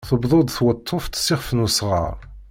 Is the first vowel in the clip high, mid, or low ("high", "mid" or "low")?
mid